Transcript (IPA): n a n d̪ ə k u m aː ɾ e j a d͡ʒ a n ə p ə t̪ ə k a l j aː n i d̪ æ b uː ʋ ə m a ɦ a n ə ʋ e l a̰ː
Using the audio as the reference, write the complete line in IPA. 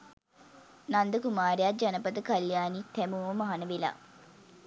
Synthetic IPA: n a n d̪ ə k u m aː ɾ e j a d͡ʒ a n ə p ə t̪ ə k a l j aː n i t̪ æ m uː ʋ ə m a ɦ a n ə ʋ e l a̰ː